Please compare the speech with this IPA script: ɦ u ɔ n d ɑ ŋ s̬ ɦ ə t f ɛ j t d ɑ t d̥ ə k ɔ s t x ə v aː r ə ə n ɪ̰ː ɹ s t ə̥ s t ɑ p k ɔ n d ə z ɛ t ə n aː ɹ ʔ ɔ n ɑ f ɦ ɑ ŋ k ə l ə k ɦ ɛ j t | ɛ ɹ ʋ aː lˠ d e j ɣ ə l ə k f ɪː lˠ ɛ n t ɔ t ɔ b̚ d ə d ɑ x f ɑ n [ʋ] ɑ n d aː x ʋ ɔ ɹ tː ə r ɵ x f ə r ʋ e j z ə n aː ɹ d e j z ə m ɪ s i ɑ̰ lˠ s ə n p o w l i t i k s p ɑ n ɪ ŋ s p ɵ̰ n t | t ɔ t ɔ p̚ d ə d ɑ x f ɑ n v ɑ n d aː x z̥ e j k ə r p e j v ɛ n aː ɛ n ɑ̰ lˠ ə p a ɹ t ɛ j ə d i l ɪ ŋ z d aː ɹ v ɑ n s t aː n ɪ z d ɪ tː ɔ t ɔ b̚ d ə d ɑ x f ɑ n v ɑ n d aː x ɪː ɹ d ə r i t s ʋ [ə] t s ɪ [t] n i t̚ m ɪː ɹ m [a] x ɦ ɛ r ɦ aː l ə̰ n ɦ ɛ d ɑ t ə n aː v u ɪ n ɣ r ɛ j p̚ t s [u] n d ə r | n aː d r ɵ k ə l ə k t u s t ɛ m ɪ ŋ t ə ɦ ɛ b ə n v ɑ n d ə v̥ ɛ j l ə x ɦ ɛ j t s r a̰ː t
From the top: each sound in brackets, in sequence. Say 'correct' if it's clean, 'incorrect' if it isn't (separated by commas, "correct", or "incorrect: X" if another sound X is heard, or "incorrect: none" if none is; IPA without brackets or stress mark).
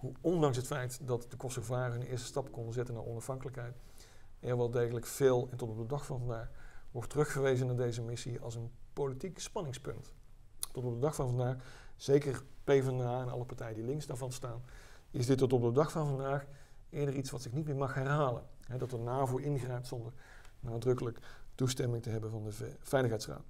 incorrect: v, incorrect: ɑ, incorrect: k, incorrect: ɑ, incorrect: ɔ